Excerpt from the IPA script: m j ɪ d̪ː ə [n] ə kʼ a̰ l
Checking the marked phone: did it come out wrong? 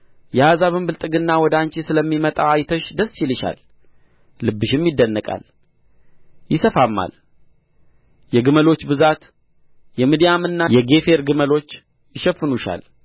yes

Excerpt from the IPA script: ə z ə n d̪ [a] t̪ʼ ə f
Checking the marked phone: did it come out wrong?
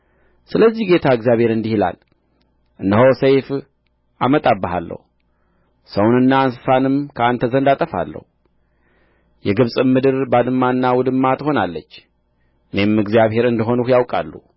no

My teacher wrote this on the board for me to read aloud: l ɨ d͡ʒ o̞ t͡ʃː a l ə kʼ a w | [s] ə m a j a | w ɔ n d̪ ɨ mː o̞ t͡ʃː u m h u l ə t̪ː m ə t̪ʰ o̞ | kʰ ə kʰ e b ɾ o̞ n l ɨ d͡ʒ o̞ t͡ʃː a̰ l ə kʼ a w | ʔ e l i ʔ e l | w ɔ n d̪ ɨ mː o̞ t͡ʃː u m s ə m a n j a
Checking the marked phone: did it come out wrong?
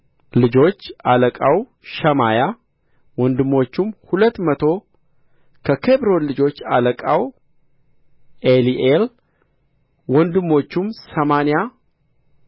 yes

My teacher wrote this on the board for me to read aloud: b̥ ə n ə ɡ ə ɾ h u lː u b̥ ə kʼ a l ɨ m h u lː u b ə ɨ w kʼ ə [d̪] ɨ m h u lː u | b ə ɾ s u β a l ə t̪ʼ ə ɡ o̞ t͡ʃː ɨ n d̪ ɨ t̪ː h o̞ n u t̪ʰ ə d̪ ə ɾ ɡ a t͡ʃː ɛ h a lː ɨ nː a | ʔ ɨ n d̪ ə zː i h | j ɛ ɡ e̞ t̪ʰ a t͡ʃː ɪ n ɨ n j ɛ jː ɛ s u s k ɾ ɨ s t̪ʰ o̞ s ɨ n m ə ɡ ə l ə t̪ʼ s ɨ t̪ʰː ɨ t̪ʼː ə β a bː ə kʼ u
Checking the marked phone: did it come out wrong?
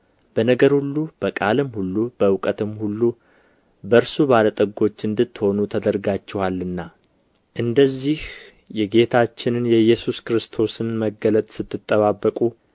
yes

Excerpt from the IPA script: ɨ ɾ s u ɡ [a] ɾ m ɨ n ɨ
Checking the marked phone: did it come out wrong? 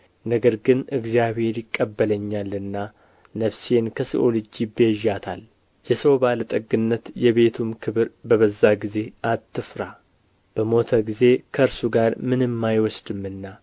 no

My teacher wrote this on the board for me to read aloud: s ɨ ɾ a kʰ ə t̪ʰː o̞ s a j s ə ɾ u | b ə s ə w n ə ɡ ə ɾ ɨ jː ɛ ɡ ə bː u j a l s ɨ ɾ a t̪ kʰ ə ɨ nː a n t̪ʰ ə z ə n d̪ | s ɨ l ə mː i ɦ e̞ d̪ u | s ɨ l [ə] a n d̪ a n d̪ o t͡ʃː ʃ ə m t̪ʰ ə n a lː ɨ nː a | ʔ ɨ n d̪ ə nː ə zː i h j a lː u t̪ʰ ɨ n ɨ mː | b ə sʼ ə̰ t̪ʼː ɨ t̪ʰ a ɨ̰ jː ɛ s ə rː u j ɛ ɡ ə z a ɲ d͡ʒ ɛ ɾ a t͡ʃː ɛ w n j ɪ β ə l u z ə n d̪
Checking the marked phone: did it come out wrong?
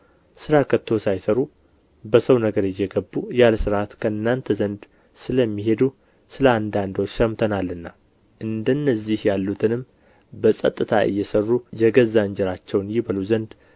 no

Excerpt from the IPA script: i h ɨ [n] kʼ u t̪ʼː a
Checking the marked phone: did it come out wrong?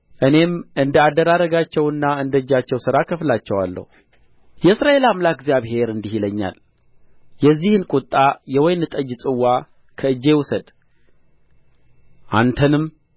no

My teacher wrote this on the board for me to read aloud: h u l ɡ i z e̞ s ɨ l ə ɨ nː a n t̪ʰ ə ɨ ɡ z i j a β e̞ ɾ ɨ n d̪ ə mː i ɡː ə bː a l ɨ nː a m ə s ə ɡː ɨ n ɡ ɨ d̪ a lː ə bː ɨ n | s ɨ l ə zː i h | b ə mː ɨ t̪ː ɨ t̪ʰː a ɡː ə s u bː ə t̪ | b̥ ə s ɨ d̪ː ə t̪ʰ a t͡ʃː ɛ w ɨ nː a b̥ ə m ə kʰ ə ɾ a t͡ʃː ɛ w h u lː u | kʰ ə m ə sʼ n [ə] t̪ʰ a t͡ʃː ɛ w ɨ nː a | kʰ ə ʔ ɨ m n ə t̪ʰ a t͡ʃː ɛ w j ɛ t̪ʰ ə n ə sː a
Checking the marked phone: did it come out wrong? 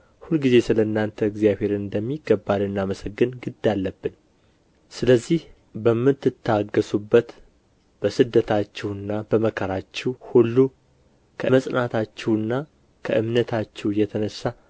yes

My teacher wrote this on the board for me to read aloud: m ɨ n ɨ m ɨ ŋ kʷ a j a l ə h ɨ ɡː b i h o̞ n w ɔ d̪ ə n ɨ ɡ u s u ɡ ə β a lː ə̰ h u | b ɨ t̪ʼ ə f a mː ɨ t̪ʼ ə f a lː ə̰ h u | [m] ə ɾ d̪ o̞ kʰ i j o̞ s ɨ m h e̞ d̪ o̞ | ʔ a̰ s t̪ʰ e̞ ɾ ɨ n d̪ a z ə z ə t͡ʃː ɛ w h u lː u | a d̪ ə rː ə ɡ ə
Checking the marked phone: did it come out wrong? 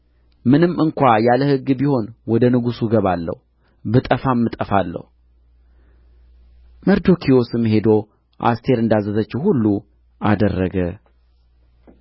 no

